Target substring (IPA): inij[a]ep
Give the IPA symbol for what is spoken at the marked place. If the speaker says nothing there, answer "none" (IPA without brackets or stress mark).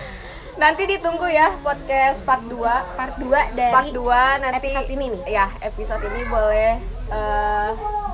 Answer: a